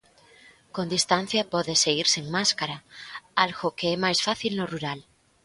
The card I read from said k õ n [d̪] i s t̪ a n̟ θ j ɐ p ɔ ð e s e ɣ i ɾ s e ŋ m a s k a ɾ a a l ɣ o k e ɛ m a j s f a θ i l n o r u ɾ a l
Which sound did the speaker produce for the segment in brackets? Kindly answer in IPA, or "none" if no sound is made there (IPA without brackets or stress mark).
d̪